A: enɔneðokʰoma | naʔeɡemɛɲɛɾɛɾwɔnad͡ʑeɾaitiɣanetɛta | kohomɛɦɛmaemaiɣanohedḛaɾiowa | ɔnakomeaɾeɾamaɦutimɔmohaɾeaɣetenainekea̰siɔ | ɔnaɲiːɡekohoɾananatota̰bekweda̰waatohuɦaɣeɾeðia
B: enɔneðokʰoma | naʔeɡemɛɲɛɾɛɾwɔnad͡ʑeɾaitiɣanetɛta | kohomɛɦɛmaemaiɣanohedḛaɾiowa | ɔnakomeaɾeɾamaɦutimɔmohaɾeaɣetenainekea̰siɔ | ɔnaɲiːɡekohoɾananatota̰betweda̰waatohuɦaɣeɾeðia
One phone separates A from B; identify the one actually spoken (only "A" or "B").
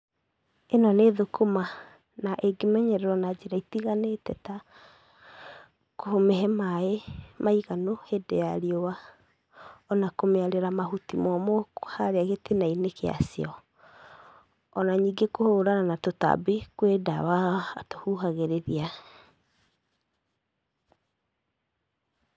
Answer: A